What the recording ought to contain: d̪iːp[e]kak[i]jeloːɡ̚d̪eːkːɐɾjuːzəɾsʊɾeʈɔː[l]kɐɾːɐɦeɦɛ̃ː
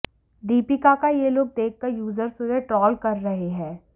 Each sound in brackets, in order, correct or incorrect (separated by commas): incorrect, incorrect, correct